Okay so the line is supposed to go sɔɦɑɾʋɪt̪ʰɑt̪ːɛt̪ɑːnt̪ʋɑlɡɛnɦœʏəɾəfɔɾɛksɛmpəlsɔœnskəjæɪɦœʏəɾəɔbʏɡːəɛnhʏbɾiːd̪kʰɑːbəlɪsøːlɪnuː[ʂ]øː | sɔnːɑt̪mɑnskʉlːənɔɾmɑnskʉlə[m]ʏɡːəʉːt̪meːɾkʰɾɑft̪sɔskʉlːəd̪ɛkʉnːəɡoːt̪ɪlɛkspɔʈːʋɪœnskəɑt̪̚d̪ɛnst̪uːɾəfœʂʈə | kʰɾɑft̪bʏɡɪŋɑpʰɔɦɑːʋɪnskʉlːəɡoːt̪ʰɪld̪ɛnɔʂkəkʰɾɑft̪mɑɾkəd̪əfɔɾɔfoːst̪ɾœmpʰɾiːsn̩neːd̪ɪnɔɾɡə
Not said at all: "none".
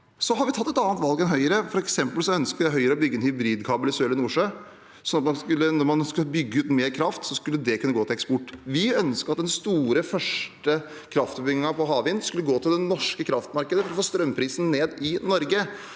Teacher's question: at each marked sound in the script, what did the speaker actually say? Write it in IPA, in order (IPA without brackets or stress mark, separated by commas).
ʂ, b